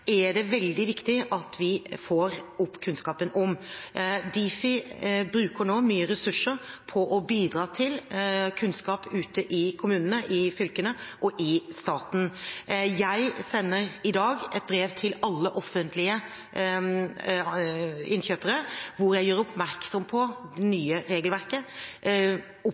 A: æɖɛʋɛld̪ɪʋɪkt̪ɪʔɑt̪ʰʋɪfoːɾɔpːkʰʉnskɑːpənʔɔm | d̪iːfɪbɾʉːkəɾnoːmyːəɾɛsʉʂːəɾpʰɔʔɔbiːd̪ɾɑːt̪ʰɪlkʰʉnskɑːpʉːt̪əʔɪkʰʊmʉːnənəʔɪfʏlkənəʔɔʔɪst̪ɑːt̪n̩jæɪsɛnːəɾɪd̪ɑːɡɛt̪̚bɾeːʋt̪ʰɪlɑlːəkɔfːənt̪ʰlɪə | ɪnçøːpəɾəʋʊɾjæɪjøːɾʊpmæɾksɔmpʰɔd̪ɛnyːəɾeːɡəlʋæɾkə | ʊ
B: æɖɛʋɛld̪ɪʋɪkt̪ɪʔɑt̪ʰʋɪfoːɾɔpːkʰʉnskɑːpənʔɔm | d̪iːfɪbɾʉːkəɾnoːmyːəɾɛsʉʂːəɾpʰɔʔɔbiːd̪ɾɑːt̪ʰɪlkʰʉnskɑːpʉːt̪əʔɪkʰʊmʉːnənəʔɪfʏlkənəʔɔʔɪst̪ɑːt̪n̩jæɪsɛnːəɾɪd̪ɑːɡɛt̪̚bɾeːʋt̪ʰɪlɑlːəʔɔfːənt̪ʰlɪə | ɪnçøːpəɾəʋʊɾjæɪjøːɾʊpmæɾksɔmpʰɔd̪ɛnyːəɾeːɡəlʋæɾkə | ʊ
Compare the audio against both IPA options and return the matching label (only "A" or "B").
B